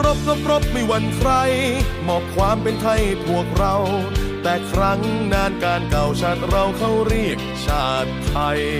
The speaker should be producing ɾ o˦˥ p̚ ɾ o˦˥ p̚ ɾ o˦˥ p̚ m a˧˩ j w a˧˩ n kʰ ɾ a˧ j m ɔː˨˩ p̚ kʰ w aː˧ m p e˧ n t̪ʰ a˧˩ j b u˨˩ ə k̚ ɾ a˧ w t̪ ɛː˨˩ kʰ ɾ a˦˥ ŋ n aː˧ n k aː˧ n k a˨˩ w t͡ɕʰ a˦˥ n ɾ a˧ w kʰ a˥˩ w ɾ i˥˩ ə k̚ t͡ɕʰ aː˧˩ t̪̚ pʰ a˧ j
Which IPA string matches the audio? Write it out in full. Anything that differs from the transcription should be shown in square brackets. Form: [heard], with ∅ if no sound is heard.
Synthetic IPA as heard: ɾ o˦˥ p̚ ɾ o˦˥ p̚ ɾ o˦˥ p̚ m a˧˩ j w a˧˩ n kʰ ɾ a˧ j m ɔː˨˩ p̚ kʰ w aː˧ m p e˧ n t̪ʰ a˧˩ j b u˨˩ ə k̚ ɾ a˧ w t̪ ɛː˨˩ kʰ ɾ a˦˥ ŋ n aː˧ n k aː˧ n k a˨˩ w t͡ɕʰ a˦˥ n ɾ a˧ w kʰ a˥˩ w ɾ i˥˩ ə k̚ t͡ɕʰ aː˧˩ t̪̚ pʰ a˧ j